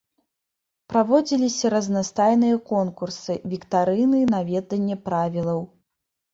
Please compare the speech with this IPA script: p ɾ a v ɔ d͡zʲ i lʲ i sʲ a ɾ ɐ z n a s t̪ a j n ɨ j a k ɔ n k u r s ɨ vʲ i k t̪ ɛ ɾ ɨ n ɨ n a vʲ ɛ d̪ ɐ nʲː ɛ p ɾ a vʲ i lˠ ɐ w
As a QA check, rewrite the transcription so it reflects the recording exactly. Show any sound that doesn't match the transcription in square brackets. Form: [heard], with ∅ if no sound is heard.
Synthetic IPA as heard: p ɾ a v ɔ d͡zʲ i lʲ i sʲ [ɐ] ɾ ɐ z n a s t̪ a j n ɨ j [ɐ] k ɔ n k u r s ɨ vʲ i k t̪ [a] ɾ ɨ n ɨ n a vʲ ɛ d̪ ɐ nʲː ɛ p ɾ a vʲ i lˠ ɐ w